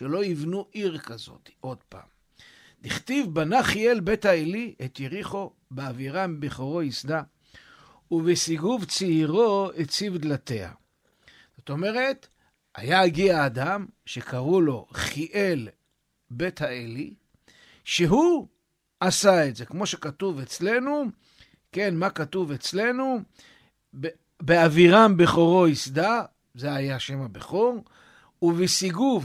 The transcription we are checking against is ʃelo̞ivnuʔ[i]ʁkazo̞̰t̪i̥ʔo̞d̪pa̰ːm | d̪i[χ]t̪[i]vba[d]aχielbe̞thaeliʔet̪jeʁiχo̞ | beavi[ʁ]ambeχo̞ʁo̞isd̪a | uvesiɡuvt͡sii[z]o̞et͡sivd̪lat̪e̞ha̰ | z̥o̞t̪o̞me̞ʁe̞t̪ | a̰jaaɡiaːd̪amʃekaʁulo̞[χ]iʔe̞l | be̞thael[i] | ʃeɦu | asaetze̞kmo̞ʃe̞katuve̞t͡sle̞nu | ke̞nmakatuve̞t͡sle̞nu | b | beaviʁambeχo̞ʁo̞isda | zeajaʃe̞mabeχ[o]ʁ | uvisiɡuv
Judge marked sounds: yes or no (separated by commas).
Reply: yes, yes, yes, no, yes, no, yes, yes, yes